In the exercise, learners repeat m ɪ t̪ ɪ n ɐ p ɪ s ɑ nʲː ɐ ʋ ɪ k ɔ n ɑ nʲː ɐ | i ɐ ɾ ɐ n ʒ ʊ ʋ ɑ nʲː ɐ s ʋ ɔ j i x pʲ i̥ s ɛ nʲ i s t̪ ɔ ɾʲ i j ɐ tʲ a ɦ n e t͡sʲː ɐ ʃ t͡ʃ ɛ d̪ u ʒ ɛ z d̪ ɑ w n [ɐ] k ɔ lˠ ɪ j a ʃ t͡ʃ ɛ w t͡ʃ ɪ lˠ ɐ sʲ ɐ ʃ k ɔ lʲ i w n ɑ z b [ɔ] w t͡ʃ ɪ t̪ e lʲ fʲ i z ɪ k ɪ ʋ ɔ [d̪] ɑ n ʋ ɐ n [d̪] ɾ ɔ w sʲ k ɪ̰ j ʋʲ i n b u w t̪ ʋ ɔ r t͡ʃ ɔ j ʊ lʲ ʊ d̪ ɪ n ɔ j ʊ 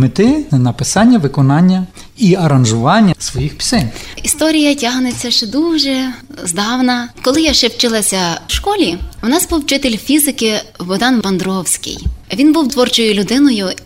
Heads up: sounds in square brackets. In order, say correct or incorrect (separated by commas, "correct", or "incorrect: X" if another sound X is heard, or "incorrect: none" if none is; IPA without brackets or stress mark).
correct, incorrect: u, correct, correct